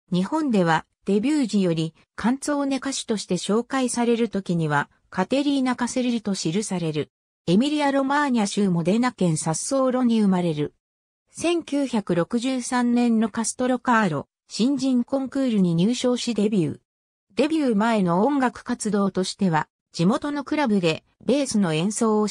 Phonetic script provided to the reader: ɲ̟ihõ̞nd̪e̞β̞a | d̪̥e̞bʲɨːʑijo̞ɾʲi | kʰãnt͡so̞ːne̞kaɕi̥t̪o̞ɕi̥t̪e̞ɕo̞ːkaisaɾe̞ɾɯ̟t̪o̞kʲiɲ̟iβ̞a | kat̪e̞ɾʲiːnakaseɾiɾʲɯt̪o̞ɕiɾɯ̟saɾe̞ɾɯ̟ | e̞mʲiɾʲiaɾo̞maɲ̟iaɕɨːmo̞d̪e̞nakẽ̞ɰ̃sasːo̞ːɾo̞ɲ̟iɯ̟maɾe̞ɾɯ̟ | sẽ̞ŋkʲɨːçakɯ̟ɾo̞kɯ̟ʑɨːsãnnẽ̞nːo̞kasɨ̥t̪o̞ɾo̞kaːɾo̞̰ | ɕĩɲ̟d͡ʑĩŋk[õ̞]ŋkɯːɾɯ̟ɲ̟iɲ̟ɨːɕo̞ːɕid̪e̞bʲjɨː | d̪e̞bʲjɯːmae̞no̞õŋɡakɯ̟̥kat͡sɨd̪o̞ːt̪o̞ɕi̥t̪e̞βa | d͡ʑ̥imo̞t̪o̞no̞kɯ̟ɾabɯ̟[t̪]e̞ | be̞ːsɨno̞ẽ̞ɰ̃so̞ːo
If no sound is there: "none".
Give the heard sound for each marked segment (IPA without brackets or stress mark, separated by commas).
õ̞, d̪